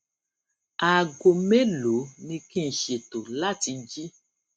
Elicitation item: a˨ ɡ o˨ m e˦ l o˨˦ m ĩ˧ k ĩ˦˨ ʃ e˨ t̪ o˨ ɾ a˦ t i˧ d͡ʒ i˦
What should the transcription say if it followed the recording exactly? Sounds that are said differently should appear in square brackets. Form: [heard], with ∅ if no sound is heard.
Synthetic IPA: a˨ ɡ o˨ m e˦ l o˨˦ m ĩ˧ k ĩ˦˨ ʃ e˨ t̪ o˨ [l] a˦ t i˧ d͡ʒ i˦

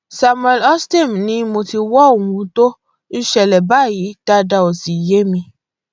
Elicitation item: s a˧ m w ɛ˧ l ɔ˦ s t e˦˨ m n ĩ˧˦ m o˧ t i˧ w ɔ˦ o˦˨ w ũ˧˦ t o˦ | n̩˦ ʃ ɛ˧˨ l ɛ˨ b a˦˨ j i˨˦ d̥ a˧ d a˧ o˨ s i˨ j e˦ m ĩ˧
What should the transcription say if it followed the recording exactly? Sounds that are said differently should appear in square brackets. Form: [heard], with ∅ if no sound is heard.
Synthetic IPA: s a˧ m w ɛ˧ l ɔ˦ s t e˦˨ m n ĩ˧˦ m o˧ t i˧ w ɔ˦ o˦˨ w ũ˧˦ t o˦ | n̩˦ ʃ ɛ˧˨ l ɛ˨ b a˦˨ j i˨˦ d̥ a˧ d a˧ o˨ s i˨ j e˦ m ĩ˧

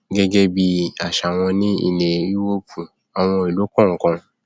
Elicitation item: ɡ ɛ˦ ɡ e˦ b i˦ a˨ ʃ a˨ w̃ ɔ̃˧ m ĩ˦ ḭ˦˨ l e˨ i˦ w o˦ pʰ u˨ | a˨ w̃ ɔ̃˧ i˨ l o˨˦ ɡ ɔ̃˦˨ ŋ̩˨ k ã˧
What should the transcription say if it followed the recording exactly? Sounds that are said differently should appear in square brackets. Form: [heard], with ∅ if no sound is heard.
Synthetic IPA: ɡ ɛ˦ ɡ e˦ b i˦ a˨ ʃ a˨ w̃ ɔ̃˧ [n] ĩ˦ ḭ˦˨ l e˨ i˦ w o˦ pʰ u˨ | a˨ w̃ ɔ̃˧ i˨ l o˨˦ [k] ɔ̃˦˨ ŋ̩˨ k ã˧

